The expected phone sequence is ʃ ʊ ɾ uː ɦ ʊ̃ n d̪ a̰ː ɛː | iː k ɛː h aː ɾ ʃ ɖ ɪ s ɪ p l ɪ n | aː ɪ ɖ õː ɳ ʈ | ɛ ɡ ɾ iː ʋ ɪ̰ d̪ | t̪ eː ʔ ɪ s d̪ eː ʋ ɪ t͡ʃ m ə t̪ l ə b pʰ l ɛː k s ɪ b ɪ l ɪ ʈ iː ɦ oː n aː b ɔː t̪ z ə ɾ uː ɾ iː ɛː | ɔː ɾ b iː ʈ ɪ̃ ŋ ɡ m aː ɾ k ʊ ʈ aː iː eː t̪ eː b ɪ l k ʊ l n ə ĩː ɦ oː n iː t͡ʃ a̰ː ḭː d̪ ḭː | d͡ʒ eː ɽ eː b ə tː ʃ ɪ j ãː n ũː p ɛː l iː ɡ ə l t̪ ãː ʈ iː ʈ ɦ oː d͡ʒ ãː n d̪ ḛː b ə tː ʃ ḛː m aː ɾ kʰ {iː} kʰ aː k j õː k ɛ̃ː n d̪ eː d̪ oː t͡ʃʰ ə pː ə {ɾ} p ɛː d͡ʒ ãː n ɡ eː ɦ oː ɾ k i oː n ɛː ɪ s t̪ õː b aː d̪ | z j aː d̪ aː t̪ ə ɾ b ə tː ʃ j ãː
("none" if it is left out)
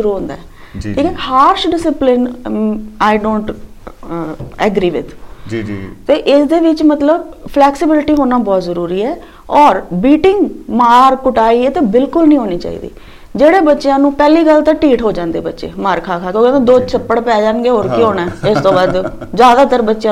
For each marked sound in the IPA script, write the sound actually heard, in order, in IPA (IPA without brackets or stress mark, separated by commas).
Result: aː, ɽ